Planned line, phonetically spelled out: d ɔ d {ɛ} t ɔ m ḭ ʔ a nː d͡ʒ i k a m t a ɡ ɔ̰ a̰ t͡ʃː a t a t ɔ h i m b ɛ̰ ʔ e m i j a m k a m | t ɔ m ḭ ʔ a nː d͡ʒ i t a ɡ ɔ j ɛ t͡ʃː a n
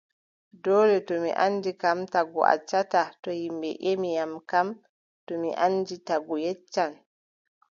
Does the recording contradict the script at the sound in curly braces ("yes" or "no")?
no